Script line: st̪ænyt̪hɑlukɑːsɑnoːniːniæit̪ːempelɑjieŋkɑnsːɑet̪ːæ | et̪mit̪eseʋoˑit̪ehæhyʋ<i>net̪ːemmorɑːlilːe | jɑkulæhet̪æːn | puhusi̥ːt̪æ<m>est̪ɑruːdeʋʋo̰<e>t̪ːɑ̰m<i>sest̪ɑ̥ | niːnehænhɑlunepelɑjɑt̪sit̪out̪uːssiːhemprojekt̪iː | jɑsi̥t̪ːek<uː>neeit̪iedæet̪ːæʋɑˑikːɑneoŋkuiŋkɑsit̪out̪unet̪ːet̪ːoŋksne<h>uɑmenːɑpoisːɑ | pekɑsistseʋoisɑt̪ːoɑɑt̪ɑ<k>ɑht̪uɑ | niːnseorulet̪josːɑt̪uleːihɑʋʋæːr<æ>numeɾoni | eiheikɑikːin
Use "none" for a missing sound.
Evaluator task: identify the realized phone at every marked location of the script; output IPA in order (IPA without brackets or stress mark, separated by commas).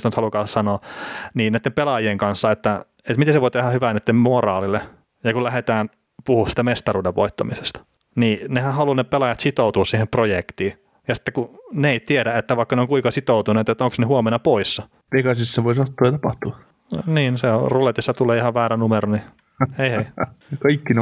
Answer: æ, m, i, i, u, h, p, æ